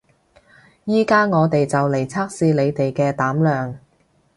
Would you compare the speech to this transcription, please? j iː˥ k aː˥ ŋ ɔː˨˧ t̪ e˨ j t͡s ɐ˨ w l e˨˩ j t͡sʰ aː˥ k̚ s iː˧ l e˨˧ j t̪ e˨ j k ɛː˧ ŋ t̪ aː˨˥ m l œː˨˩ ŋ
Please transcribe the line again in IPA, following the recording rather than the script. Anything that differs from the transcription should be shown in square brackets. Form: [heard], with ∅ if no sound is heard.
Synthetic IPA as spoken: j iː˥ k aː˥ ŋ ɔː˨˧ t̪ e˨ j t͡s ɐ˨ w l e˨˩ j t͡sʰ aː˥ k̚ s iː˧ l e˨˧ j t̪ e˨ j k ɛː˧ [∅] t̪ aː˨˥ m l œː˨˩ ŋ